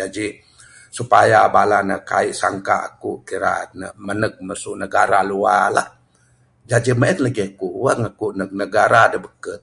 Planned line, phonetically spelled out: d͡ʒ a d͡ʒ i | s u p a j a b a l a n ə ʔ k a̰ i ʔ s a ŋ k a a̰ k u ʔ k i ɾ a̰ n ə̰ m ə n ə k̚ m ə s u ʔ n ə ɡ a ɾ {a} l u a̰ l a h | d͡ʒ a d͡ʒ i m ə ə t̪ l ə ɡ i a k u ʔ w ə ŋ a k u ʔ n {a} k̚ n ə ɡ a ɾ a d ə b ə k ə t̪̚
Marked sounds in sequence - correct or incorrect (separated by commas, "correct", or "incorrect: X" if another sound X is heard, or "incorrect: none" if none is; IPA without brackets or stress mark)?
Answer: correct, incorrect: ə